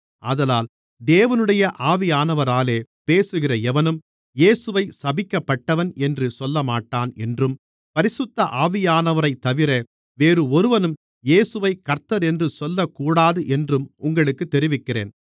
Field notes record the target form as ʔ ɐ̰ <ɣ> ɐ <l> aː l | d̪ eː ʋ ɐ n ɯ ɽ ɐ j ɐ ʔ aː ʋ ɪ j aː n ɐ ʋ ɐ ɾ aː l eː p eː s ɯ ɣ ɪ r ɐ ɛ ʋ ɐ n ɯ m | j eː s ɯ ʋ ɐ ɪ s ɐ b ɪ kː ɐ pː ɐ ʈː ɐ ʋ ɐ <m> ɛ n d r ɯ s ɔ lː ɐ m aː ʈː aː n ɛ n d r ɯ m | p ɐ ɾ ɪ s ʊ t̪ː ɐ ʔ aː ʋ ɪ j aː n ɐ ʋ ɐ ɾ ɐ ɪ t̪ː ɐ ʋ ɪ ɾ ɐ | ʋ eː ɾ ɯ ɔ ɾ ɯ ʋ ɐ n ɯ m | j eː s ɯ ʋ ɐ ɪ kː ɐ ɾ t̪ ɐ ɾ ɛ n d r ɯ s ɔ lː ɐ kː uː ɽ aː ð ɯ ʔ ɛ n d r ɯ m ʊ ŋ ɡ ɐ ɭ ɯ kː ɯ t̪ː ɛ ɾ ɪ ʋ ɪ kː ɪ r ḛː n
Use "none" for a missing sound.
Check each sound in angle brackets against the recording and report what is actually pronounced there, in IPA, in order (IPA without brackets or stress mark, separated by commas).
ð, l, n